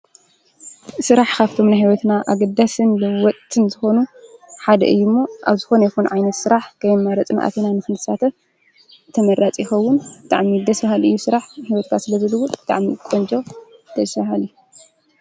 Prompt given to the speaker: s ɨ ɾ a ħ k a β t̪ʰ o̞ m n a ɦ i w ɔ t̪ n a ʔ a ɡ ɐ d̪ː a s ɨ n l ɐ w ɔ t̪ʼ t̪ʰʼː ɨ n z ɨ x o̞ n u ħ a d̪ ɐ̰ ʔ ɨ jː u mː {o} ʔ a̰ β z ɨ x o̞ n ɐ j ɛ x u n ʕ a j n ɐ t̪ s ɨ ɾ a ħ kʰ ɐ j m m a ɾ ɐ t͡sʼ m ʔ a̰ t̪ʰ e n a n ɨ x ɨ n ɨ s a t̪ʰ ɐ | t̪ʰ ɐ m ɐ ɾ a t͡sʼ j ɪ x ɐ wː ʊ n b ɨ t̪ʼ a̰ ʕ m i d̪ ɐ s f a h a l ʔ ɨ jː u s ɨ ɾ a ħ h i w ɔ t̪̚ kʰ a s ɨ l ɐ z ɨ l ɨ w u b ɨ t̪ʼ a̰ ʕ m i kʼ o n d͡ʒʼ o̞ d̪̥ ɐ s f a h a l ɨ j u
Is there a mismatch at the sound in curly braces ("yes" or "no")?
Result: no